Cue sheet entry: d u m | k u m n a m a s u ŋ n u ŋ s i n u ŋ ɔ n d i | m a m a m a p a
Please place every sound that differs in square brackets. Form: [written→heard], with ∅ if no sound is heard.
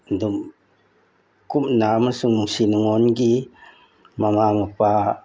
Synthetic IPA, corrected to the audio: d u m | k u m n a m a s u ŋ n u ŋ s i n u ŋ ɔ n [d→ɡ] i | m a m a m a p a